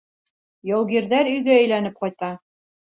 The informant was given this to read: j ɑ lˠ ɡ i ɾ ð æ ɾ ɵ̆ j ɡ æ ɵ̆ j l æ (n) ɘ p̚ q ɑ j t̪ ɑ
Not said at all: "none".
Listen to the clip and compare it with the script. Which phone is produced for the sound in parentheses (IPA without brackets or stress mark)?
n